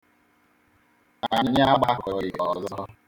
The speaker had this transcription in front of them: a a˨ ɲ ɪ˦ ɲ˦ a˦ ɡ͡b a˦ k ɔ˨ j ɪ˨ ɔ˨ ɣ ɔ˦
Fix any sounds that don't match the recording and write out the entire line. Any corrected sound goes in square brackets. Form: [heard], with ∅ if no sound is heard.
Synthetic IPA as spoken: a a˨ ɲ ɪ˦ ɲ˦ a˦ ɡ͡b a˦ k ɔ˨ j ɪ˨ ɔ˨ [z] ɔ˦